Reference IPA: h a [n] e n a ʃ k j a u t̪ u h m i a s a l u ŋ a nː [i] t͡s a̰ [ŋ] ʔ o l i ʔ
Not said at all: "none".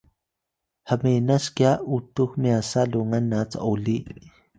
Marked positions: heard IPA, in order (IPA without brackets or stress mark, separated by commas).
m, a, none